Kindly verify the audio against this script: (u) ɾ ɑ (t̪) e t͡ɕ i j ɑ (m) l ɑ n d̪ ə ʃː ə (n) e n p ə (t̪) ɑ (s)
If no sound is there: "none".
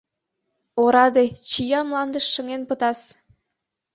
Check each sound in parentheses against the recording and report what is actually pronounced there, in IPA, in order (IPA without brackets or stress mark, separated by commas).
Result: o, d̪, m, ŋ, t̪, s